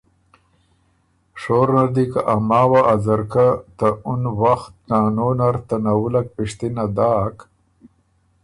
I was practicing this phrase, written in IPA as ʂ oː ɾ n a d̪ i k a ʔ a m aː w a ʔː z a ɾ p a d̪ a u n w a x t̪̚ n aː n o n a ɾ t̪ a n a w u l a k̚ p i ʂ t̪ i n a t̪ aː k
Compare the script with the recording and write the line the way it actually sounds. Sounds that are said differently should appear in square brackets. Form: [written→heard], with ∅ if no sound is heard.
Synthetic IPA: ʂ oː ɾ n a d̪ i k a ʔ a m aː w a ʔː z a ɾ [p→k] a [d̪→t̪] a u n w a x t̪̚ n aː n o n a ɾ t̪ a n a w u l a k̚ p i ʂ t̪ i n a [t̪→d̪] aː k